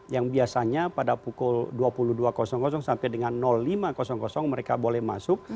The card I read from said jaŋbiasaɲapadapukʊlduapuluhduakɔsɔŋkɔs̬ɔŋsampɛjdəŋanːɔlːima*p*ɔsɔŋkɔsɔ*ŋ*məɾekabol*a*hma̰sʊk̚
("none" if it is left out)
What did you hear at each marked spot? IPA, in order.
k, ŋ, ɛ

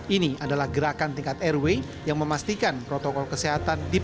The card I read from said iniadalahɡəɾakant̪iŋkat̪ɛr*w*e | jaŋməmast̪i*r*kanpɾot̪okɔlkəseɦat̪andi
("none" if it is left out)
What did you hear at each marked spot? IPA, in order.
w, none

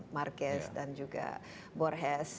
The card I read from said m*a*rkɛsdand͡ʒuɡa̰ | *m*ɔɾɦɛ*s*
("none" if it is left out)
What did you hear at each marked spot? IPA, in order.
a, b, s

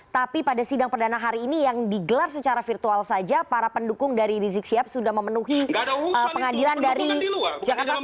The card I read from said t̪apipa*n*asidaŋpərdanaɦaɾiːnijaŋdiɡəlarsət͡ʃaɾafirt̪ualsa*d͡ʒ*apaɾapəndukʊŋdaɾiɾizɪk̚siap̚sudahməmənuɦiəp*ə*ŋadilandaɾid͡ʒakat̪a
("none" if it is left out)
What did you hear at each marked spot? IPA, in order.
d, d͡ʒ, ə

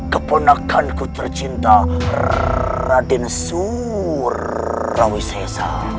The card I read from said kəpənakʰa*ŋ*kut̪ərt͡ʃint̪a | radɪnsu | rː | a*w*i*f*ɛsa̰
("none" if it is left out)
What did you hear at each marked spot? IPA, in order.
n, w, s

